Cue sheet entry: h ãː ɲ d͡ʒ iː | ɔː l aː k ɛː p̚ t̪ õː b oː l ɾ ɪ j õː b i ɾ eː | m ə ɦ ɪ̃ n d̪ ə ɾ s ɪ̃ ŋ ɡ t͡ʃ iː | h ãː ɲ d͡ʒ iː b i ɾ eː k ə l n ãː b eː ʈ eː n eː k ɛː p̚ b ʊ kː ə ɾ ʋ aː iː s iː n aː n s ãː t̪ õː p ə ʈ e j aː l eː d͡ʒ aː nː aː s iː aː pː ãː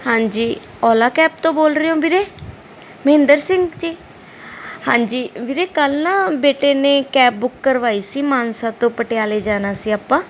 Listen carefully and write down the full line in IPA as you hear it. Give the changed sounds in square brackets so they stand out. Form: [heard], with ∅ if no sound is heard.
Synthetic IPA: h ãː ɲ d͡ʒ iː | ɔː l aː k ɛː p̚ t̪ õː b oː l ɾ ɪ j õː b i ɾ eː | m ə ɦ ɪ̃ n d̪ ə ɾ s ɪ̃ ŋ ɡ t͡ʃ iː | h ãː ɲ d͡ʒ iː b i ɾ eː k ə l n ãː b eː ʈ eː n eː k ɛː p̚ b ʊ kː ə ɾ ʋ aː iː s iː [m] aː n s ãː t̪ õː p ə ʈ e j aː l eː d͡ʒ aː [n] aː s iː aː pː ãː